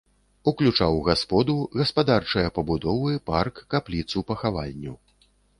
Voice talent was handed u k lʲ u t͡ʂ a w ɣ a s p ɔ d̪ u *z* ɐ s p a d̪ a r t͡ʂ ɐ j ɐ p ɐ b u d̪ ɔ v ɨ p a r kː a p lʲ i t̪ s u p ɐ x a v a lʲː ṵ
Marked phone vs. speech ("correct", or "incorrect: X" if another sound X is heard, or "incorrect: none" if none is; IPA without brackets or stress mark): incorrect: ɣ